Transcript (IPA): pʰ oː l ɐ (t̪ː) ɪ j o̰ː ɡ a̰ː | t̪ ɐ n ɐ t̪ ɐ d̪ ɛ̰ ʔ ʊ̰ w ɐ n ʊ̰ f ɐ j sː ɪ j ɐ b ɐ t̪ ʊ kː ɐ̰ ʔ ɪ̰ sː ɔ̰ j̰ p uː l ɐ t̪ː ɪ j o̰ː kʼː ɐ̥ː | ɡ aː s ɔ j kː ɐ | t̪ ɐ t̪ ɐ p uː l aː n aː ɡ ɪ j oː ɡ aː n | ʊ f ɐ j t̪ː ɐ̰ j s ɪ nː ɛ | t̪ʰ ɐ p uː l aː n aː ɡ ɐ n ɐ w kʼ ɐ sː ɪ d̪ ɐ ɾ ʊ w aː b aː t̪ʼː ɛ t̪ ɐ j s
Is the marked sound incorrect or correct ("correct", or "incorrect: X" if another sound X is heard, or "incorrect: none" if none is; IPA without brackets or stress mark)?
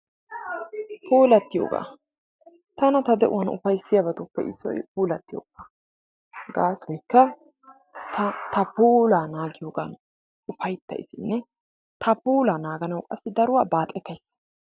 correct